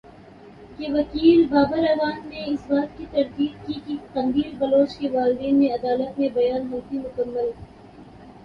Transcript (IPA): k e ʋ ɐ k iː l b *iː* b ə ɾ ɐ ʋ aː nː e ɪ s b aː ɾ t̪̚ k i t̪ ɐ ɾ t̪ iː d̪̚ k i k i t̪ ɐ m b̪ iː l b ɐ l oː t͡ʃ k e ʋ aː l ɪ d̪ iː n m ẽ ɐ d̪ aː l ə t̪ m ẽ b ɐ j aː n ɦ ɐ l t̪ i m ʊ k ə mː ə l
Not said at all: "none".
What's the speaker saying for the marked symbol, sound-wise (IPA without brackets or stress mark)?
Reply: aː